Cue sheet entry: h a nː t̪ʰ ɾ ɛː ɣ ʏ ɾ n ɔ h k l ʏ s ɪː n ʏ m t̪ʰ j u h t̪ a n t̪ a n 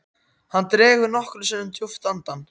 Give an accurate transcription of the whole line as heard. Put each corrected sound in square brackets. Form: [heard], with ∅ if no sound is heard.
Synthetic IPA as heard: h a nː [t̪] ɾ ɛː ɣ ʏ ɾ n ɔ h k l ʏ s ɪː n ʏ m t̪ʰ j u [f] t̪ a n t̪ a n

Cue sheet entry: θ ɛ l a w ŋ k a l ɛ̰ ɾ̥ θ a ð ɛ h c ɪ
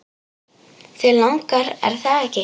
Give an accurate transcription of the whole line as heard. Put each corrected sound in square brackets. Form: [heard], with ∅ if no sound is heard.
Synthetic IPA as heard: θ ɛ l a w ŋ k a [ɾ] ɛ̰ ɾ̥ θ a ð ɛ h c ɪ

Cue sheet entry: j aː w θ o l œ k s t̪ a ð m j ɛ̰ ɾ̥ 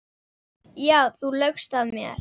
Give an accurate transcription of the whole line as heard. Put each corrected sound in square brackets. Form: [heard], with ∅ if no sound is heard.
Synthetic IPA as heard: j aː w θ [u] l œ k s t̪ a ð m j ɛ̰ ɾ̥

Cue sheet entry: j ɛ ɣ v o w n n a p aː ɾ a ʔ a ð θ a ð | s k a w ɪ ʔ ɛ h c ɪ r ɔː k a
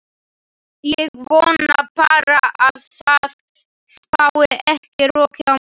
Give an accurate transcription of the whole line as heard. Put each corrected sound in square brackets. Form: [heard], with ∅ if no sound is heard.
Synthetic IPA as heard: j ɛ ɣ v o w n n a p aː ɾ a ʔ a ð θ a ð | s [p] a w ɪ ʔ ɛ h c ɪ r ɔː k a

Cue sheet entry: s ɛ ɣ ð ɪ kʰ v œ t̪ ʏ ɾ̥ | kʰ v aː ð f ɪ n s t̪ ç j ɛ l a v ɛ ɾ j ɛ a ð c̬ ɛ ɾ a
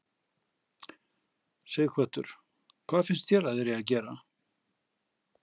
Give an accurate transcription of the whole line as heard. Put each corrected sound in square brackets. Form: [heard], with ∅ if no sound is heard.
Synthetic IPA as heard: s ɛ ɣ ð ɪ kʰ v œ t̪ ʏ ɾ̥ | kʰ v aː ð f ɪ n s t̪ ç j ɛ [ɾ] a [ð] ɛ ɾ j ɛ a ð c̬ [ɛː] ɾ a

